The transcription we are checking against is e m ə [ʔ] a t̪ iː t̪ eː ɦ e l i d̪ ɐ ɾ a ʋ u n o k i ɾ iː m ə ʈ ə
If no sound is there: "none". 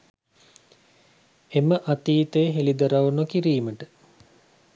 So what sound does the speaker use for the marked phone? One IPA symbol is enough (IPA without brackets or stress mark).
ʔ